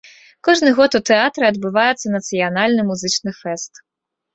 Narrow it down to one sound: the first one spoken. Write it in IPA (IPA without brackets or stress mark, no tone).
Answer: k